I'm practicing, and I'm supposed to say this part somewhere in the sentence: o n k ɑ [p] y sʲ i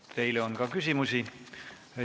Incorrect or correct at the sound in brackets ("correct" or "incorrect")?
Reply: incorrect